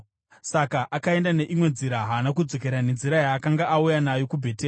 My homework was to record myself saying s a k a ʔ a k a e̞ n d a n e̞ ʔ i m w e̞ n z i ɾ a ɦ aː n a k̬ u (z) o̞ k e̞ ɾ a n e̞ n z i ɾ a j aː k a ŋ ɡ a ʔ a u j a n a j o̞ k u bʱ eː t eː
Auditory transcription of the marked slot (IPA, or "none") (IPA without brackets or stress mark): d͡z